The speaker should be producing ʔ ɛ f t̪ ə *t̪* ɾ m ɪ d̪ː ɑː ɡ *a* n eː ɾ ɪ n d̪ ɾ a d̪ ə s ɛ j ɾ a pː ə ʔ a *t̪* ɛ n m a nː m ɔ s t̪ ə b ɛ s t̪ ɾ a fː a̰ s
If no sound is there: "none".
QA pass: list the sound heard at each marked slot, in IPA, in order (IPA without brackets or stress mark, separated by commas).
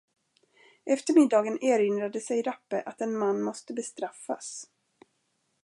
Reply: none, ə, t̪